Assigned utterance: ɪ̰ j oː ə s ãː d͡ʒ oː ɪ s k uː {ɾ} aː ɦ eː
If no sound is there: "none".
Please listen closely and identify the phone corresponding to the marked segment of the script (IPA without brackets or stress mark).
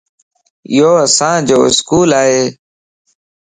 l